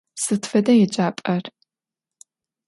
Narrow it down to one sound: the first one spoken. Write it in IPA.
s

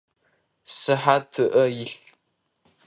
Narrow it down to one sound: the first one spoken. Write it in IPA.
s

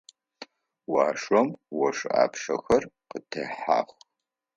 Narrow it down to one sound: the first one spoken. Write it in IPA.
w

